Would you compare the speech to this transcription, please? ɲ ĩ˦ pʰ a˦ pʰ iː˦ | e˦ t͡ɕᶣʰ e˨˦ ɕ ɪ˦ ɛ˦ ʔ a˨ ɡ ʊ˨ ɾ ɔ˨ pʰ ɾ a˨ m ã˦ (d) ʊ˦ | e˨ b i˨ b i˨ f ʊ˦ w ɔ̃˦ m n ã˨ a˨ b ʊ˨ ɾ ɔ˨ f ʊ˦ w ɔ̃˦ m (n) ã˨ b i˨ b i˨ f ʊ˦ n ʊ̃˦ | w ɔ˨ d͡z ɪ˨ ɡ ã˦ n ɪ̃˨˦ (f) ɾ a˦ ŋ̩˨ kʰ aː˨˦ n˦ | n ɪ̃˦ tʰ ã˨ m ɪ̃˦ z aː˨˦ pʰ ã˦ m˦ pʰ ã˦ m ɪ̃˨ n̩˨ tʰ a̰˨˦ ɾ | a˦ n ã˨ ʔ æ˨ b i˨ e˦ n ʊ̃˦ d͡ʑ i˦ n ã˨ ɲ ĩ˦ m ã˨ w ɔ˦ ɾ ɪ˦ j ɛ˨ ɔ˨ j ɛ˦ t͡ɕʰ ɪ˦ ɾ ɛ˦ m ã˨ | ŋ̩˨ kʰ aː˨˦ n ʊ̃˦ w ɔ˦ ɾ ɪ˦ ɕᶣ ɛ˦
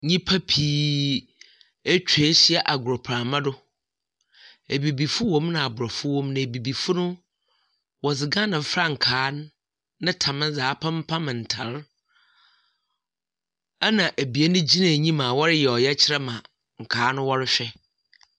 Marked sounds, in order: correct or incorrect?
correct, correct, correct

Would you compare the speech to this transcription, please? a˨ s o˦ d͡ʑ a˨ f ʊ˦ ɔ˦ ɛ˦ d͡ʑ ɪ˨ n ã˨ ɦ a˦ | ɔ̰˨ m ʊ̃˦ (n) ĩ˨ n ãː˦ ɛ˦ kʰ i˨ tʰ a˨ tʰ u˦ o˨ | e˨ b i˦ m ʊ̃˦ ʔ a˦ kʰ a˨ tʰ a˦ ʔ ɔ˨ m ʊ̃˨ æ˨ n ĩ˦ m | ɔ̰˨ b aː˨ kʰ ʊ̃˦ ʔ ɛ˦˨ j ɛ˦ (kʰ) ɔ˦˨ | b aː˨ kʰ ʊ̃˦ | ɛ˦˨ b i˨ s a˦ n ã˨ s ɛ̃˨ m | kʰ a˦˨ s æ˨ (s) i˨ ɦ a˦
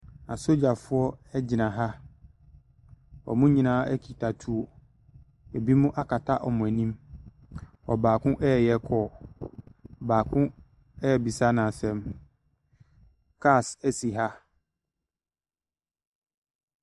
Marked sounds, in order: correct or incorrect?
incorrect, correct, correct

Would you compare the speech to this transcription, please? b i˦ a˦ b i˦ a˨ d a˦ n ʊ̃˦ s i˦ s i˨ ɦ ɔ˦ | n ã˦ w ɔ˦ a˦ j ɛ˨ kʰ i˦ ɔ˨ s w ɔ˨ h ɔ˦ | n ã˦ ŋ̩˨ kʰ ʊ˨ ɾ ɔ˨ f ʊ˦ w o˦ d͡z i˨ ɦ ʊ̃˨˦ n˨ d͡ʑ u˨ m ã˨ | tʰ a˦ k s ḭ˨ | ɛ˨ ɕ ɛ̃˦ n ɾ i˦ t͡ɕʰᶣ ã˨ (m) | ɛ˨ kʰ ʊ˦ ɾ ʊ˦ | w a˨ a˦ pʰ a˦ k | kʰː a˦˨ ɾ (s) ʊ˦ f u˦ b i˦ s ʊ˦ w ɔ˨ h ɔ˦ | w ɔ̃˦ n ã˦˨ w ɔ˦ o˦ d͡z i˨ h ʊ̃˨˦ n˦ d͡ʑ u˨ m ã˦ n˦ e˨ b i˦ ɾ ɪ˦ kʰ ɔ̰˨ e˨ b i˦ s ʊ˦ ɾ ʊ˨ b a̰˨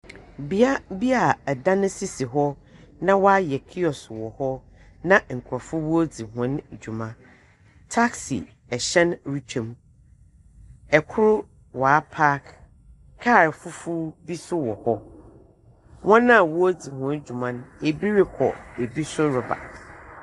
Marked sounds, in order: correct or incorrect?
correct, incorrect

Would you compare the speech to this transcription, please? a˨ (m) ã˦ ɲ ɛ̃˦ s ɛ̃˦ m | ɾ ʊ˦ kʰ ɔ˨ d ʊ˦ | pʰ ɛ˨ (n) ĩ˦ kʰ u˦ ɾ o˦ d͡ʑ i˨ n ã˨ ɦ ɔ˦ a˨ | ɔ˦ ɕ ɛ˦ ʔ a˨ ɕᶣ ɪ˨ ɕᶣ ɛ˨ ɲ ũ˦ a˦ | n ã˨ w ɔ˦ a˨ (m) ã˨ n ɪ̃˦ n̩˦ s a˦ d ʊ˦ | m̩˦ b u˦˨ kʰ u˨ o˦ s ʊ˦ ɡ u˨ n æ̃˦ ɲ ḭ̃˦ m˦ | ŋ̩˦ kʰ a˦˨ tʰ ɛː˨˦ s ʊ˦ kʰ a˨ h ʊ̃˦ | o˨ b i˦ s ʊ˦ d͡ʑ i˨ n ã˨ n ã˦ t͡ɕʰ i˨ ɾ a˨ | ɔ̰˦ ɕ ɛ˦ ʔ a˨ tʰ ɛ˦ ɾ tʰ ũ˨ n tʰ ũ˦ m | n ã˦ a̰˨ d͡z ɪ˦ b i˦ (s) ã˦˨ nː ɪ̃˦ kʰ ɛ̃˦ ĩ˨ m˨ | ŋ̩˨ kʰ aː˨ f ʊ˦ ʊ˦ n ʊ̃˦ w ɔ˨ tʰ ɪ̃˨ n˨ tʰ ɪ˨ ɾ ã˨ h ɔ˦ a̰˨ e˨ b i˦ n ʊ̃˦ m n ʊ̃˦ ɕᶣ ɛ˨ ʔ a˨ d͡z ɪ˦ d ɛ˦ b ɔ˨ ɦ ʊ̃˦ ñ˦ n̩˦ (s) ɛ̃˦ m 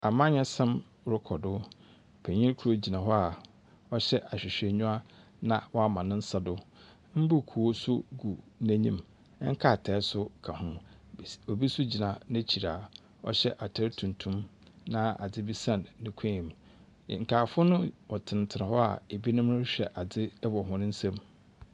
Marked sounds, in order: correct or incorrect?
correct, incorrect, correct, correct, correct

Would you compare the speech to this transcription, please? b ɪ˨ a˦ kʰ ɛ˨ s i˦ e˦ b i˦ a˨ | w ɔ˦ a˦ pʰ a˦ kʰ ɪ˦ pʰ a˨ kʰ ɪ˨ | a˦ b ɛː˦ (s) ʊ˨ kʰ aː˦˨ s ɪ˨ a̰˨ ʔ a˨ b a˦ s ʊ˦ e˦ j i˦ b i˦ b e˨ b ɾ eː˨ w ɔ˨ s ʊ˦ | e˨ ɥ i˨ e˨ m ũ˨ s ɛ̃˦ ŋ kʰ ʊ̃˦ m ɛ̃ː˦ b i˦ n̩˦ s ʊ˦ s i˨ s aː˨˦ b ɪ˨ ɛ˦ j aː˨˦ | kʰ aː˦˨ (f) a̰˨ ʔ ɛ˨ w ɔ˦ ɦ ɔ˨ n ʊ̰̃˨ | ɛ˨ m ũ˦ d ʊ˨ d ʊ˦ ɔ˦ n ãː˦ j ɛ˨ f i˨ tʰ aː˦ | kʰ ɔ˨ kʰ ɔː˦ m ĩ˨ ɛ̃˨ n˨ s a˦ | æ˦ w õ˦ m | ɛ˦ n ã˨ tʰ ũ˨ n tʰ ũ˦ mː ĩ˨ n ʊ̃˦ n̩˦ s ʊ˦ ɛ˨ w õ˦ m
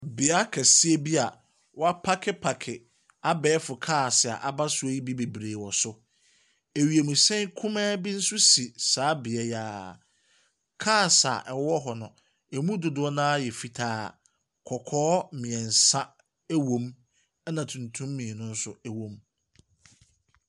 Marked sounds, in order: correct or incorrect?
incorrect, incorrect

